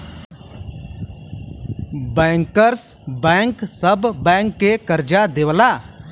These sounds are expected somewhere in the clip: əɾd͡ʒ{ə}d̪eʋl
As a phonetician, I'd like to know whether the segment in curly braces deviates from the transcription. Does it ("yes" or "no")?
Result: yes